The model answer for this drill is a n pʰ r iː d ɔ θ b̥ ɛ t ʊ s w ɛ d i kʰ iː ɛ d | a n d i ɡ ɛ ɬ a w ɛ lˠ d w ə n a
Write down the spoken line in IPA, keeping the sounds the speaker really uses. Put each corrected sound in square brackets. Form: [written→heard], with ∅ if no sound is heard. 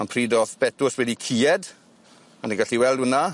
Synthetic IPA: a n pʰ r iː d ɔ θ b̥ ɛ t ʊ s w ɛ d i kʰ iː ɛ d | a n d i ɡ [ɛ→a] ɬ [a→i] w ɛ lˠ d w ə n a